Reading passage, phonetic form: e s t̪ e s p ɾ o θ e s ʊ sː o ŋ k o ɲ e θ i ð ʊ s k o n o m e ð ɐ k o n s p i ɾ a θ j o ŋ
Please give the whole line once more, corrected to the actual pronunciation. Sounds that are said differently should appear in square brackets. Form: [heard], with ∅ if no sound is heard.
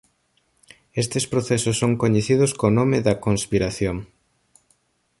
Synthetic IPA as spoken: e s t̪ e s p ɾ o θ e s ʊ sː o ŋ k o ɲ e θ i ð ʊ s k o n o m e ð ɐ k o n s p i ɾ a θ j o ŋ